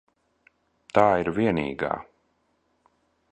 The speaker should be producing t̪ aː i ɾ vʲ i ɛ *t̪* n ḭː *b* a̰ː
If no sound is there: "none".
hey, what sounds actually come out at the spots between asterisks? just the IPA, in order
none, ɡ

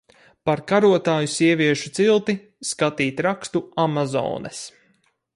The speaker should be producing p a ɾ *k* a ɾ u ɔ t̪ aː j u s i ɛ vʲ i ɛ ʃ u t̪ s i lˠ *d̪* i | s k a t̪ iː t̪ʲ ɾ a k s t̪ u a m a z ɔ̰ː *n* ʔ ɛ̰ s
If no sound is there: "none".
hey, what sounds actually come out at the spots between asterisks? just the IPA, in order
k, t̪, n

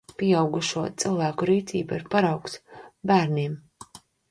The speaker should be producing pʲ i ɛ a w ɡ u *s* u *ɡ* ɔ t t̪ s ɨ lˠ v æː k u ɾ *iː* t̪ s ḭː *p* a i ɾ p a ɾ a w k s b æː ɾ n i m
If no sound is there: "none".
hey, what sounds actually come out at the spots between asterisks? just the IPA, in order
ʃ, none, iː, b

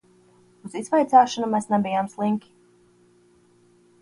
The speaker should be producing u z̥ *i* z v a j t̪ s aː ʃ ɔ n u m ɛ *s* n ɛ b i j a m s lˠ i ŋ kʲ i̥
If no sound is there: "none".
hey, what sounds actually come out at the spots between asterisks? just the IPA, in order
i, s

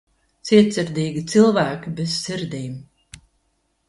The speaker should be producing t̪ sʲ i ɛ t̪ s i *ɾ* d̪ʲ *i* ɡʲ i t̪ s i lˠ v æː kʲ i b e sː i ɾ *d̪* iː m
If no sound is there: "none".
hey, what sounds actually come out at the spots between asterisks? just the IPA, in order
ɾ, iː, d̪

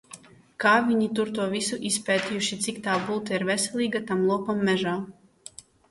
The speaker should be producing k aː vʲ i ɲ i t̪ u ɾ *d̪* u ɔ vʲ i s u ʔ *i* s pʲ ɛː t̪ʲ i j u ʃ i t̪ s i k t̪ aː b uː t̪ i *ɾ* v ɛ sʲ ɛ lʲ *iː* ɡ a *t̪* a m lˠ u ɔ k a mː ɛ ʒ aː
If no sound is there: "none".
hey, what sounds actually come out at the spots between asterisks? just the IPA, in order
t̪, i, ɾ, iː, t̪

